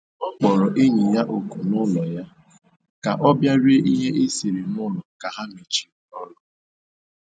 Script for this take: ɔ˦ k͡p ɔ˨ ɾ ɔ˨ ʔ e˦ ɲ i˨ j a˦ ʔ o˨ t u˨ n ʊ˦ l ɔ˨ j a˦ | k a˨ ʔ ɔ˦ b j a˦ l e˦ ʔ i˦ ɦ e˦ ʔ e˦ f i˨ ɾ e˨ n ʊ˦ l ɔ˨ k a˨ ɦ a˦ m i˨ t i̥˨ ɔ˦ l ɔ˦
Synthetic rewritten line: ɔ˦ k͡p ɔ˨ ɾ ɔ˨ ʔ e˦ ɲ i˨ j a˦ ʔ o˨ k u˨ n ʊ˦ l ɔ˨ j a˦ | k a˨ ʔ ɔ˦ b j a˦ ɾ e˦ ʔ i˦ ɦ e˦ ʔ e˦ s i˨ ɾ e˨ n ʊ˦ l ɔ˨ k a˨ ɦ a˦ m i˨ t͡ʃ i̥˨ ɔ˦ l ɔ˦